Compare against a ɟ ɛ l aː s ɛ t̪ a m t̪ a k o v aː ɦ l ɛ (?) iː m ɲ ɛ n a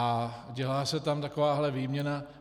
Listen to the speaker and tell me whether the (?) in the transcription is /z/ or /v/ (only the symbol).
v